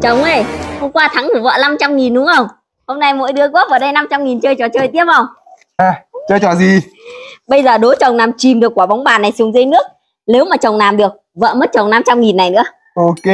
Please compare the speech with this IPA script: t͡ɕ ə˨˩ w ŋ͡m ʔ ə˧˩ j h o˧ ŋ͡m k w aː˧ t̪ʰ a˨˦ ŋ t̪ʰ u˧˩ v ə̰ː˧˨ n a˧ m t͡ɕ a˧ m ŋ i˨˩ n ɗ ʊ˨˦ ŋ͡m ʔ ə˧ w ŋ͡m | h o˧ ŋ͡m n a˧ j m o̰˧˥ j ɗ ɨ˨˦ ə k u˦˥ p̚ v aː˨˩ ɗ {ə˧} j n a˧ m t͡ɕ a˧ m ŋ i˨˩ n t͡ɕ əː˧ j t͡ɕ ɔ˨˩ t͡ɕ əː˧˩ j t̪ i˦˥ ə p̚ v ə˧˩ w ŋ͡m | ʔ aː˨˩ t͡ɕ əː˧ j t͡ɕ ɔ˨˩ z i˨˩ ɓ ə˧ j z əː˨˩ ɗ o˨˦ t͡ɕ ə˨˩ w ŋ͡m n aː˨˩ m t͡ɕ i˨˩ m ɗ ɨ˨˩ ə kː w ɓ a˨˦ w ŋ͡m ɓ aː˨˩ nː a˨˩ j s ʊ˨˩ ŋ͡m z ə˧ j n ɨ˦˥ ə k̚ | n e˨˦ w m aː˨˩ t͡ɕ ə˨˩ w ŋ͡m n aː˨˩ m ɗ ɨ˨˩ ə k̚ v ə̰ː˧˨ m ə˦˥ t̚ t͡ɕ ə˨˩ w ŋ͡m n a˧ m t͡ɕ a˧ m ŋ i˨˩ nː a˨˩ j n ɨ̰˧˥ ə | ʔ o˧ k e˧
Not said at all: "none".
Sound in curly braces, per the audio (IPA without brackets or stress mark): ə˧